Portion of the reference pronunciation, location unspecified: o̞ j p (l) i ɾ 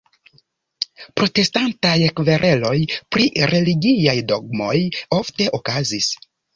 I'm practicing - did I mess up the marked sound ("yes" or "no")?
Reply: yes